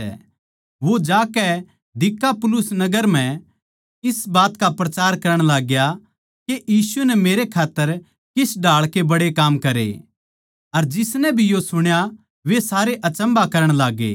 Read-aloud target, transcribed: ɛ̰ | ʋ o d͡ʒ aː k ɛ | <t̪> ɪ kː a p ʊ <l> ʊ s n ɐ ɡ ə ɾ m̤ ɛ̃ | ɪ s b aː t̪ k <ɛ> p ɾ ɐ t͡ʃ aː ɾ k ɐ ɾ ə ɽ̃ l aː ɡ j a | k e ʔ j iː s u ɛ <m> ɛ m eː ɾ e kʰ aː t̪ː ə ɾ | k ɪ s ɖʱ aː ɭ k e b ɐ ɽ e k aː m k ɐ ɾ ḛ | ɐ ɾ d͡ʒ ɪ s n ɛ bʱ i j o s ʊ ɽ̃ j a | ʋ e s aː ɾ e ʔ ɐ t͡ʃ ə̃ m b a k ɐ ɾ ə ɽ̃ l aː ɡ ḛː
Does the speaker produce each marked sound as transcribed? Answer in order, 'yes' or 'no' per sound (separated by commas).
no, yes, no, no